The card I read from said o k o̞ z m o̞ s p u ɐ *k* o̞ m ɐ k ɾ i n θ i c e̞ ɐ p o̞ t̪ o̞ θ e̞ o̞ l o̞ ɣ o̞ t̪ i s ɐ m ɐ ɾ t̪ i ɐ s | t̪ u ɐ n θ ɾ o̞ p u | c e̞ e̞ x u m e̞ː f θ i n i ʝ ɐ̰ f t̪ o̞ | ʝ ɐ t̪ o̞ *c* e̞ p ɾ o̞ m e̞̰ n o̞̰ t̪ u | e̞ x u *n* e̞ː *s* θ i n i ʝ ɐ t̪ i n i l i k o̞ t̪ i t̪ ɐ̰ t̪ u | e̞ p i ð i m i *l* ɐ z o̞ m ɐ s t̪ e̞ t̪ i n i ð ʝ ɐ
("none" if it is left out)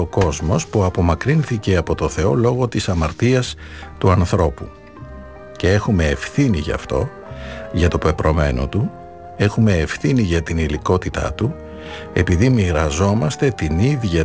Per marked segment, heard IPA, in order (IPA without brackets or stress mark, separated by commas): p, p, m, f, ɾ